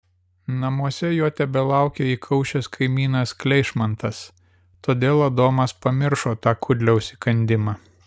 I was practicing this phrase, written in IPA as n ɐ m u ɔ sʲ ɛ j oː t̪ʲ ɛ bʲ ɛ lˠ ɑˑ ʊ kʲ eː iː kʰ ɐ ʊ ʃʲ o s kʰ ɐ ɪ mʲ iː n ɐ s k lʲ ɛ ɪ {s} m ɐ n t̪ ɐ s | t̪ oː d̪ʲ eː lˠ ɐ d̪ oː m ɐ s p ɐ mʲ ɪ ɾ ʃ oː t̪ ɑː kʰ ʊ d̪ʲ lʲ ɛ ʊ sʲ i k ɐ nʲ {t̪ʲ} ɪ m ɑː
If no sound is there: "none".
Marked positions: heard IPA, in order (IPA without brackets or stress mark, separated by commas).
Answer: ʃ, d̪ʲ